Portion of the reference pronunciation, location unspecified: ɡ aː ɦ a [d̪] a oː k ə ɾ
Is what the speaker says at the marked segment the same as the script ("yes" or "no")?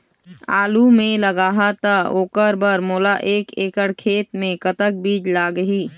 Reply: no